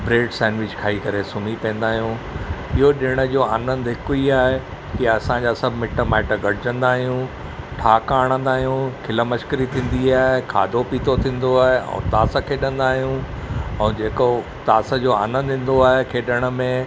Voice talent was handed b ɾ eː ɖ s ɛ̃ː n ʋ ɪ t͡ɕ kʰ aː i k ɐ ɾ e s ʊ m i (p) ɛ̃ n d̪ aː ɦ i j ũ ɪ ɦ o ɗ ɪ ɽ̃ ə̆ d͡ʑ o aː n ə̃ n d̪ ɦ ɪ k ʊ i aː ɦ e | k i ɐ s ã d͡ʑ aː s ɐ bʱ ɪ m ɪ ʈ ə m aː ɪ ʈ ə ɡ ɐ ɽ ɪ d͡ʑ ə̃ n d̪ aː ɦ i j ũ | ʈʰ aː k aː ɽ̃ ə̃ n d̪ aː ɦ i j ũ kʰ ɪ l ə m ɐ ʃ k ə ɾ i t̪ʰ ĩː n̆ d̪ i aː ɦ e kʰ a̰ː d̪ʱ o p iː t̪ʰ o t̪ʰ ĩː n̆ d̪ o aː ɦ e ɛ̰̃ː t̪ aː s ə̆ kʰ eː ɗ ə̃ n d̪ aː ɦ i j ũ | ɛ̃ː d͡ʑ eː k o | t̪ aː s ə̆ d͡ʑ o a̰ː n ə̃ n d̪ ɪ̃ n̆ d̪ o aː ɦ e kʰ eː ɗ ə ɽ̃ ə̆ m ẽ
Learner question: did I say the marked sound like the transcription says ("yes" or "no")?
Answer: yes